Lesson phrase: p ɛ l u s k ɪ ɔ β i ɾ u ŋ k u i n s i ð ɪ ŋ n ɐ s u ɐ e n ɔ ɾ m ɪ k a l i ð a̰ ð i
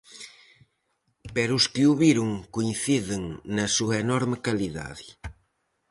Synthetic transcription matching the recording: p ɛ ɾ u s k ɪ u β i ɾ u ŋ k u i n θ i ð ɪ ŋ n ɐ s u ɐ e n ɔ ɾ m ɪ k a l i ð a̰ ð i